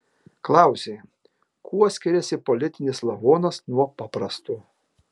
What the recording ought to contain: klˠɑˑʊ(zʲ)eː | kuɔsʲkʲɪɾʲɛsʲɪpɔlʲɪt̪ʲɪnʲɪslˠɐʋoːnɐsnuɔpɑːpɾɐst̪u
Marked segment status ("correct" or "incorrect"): incorrect